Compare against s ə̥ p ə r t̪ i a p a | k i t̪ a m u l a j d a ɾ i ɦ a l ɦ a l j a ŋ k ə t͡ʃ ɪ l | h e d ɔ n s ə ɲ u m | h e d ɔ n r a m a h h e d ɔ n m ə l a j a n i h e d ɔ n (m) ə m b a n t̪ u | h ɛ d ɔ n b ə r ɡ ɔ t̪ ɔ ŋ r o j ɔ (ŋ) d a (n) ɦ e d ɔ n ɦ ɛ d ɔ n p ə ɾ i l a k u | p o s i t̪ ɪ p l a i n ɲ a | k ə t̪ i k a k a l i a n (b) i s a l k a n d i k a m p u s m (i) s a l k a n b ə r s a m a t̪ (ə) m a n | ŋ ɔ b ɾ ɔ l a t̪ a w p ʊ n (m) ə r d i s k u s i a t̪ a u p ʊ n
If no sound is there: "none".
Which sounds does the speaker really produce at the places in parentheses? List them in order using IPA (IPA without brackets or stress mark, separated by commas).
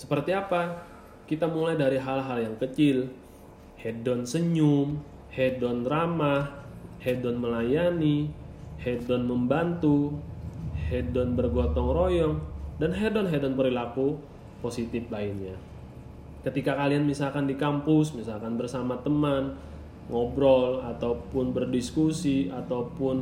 m, ŋ, n, m, i, ə, b